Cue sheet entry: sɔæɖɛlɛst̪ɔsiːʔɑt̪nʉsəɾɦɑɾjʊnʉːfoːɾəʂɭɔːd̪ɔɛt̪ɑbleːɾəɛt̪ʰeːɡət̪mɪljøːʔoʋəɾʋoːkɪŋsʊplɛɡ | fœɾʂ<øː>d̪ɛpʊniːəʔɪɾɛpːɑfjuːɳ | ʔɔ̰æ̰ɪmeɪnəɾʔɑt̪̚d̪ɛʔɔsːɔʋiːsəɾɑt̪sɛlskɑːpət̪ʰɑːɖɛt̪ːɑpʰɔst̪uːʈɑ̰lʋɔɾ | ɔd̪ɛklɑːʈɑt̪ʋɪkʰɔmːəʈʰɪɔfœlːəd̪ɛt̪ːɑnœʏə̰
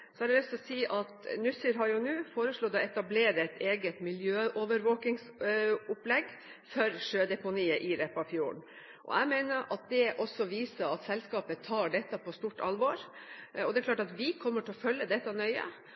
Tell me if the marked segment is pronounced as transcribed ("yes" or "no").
yes